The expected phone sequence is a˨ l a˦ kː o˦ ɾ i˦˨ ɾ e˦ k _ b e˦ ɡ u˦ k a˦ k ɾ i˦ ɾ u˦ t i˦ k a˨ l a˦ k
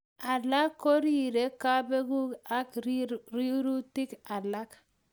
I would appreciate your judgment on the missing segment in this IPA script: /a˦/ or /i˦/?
a˦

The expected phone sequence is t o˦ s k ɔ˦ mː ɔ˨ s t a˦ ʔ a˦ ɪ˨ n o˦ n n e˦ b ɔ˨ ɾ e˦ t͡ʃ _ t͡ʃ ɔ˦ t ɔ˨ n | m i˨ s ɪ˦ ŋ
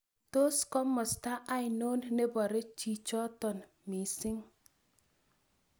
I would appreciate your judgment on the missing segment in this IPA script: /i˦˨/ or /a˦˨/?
i˦˨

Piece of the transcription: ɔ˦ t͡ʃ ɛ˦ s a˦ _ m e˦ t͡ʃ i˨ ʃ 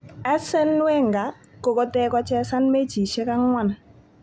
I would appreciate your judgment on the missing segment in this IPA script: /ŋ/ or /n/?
n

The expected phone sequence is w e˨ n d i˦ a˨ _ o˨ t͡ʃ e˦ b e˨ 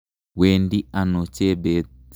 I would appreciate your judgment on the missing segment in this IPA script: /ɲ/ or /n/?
n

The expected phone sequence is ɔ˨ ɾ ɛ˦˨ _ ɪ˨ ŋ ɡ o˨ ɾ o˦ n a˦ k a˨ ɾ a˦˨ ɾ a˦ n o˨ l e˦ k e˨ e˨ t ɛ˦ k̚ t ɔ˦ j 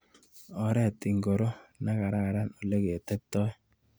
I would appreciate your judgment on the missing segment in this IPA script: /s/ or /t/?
t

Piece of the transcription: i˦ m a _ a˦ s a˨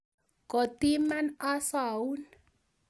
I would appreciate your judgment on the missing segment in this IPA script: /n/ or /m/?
n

